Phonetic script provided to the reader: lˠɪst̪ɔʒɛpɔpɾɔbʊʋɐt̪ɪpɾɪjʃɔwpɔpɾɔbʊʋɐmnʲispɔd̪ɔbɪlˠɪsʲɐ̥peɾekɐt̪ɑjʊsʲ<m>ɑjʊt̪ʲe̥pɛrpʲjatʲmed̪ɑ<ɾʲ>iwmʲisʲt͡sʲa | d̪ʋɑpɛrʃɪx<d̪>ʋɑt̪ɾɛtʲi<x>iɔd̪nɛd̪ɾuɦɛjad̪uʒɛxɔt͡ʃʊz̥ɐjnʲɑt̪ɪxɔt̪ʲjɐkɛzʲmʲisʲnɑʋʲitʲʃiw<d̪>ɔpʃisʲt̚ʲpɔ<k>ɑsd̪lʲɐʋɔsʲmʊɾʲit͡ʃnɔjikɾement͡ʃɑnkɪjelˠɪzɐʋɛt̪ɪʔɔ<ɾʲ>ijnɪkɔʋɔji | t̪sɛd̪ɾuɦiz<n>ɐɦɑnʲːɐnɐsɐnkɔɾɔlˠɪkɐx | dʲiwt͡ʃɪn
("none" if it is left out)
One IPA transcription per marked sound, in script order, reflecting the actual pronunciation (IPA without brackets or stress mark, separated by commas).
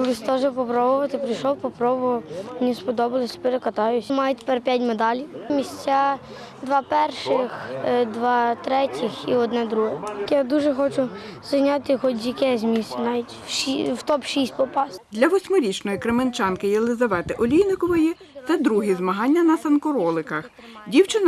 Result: m, lʲ, d̪, x, t̪, p, lʲ, m